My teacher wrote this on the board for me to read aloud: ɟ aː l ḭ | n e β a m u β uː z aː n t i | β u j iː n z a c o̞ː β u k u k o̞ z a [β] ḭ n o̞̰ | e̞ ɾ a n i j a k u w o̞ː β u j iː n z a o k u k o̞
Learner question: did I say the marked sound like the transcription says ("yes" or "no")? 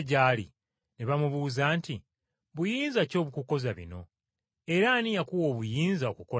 yes